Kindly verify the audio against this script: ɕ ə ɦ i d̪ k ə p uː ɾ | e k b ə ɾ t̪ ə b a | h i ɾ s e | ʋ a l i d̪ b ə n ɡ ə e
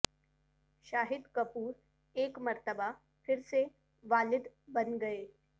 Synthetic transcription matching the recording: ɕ a ɦ i d̪ k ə p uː ɾ | e k m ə ɾ t̪ ə b a | f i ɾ s e | ʋ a l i d̪ b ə n ɡ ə e